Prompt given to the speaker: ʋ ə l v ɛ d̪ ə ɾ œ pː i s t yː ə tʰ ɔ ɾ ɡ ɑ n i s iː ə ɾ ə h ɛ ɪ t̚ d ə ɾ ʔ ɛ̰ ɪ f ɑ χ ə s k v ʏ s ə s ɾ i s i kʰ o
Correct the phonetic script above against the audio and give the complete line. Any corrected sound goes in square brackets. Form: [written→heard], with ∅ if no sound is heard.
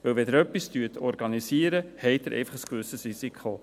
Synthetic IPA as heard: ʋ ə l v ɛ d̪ ə ɾ œ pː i s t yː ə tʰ ɔ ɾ ɡ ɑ n i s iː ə ɾ ə h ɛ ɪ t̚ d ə ɾ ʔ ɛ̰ ɪ f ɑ χ ə s k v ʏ s ə s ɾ i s i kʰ o